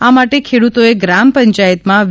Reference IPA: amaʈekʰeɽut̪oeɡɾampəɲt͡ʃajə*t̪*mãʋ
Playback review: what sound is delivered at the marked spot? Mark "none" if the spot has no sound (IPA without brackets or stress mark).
t̪